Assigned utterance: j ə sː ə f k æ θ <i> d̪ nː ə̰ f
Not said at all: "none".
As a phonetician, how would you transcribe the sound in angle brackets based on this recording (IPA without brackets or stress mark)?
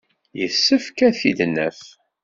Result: i